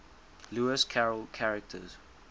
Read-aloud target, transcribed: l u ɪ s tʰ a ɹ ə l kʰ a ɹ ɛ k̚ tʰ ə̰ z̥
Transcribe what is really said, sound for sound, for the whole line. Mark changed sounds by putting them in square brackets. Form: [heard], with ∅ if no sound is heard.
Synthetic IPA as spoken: l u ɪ s [kʰ] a ɹ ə l kʰ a ɹ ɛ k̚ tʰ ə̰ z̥